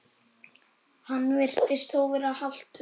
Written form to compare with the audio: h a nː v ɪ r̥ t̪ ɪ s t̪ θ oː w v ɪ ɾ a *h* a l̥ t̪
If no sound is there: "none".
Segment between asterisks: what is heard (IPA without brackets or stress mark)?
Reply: h